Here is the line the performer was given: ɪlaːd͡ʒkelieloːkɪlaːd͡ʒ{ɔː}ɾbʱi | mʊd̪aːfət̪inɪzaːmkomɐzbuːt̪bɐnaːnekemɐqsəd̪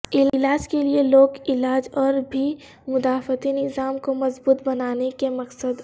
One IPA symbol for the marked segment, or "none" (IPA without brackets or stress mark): ɔː